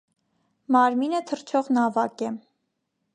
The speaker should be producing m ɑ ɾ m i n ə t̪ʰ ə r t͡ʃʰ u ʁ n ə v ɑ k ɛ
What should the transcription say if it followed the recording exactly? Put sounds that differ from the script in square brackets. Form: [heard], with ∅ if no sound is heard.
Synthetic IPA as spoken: m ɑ ɾ m i n ə t̪ʰ ə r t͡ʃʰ [ɔ] ʁ n [ɑ] v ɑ k ɛ